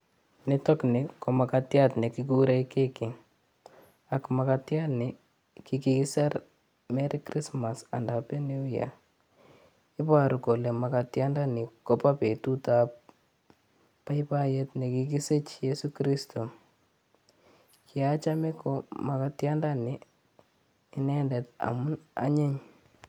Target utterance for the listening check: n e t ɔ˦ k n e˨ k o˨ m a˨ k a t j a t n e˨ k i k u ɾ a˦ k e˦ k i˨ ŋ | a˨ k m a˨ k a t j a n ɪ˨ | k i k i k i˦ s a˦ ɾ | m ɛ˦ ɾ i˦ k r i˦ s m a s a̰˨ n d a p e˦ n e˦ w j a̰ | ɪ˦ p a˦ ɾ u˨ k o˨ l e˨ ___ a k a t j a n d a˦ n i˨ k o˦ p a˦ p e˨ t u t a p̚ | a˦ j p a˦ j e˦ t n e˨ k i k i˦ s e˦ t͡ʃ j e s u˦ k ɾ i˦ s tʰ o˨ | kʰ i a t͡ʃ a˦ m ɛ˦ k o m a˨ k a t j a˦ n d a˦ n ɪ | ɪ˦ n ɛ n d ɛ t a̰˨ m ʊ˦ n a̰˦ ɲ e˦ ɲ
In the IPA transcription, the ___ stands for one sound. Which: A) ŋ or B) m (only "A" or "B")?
B